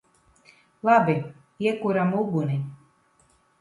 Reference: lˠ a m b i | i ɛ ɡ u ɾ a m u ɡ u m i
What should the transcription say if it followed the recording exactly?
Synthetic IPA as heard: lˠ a b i | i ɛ k u ɾ a m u ɡ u n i